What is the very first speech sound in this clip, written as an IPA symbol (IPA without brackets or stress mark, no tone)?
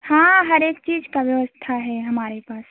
h